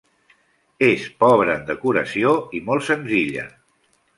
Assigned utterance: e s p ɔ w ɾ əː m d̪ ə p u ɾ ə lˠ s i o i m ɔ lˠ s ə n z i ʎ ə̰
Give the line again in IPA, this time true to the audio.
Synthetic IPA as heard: e s p ɔ β ɾ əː n d̪ ə k u ɾ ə s i o i m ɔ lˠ s ə n z i ʎ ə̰

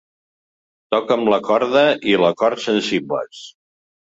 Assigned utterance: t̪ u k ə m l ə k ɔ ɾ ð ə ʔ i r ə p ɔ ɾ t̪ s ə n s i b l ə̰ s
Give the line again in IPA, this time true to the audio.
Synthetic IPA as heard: t̪ ɔ k ə m l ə k ɔ ɾ ð ə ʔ i l ə k ɔ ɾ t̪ s ə n s i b l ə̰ s

